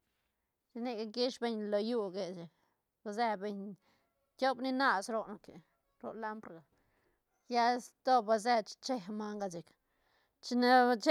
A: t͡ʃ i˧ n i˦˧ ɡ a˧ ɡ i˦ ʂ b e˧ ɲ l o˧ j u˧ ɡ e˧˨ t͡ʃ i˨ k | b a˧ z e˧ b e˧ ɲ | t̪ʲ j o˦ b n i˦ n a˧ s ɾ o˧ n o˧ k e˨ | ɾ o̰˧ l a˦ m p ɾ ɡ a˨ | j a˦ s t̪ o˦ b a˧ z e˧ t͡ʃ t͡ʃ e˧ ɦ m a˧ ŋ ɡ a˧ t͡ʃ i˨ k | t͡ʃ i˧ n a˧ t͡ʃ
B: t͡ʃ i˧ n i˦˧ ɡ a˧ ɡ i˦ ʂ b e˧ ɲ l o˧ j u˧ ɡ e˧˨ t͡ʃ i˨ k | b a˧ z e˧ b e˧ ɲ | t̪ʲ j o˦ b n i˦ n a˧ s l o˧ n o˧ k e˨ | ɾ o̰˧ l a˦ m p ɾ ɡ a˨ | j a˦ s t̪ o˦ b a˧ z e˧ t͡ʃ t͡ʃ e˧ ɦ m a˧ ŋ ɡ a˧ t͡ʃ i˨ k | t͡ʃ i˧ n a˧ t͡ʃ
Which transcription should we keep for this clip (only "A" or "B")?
A